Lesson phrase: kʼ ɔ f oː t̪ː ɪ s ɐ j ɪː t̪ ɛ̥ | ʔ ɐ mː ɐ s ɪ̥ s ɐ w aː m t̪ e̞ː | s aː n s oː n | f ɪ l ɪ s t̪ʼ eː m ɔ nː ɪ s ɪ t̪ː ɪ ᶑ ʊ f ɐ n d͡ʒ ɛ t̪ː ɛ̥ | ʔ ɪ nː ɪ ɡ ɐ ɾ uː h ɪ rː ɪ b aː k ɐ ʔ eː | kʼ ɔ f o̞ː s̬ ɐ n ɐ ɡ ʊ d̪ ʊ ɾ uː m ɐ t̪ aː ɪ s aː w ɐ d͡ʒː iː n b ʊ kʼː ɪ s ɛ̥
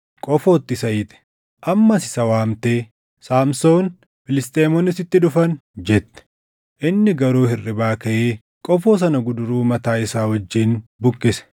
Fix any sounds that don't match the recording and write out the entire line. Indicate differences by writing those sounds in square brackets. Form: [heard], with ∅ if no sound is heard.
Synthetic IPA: kʼ ɔ f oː t̪ː ɪ s ɐ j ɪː t̪ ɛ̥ | ʔ ɐ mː ɐ s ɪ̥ s ɐ w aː m t̪ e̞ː | s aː [m] s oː n | f ɪ l ɪ s t̪ʼ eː m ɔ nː ɪ s ɪ t̪ː ɪ ᶑ ʊ f ɐ n d͡ʒ ɛ t̪ː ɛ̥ | ʔ ɪ nː ɪ ɡ ɐ ɾ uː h ɪ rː ɪ b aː k ɐ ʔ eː | kʼ ɔ f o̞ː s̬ ɐ n ɐ ɡ ʊ d̪ ʊ ɾ uː m ɐ t̪ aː ɪ s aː w ɐ d͡ʒː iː n b ʊ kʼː ɪ s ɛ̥

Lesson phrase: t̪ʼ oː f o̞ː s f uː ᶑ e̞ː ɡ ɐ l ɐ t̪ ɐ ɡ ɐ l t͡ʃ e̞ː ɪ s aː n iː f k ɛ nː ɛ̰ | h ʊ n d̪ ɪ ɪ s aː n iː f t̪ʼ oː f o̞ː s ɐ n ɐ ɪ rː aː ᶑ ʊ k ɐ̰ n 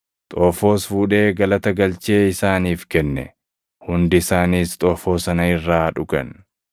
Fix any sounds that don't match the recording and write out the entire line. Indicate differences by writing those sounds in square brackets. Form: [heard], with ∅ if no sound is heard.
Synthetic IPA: t̪ʼ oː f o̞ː s f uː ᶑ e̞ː ɡ ɐ l ɐ t̪ ɐ ɡ ɐ l t͡ʃ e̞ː ɪ s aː n iː f k ɛ nː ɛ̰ | h ʊ n d̪ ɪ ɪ s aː n iː [s] t̪ʼ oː f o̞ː s ɐ n ɐ ɪ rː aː ᶑ ʊ k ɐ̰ n

